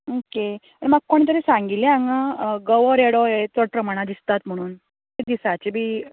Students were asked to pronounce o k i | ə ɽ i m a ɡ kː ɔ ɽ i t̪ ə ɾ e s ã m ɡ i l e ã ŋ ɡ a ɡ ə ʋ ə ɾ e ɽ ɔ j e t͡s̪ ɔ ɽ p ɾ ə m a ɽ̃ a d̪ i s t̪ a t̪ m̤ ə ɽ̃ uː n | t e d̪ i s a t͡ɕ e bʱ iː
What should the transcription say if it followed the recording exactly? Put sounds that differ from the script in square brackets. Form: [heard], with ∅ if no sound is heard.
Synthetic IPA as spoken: o k [e] | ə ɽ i m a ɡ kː [o] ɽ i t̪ ə ɾ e s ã [ŋ] ɡ i l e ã ŋ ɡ a ɡ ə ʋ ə ɾ e ɽ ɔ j e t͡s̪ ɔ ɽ p ɾ ə m a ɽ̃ a d̪ i s t̪ a t̪ m̤ ə ɽ̃ uː n | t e d̪ i s a t͡ɕ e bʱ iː